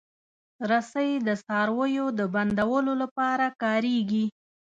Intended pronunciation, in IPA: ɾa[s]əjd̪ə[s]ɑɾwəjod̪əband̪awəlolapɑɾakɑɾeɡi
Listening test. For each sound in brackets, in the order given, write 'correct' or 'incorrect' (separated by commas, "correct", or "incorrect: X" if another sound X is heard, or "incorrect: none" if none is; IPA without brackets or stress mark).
correct, correct